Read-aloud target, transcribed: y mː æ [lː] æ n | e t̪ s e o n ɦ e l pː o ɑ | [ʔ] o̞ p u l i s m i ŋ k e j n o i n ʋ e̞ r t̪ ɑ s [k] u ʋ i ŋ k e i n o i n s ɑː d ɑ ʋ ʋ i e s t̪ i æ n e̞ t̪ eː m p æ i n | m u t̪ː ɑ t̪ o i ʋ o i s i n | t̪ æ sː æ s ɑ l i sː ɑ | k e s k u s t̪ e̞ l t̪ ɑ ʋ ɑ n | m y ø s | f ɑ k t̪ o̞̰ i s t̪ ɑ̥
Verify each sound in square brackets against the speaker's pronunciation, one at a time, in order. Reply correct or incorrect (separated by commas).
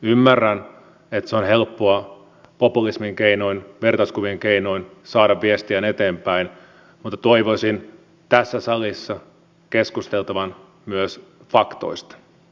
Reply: incorrect, incorrect, correct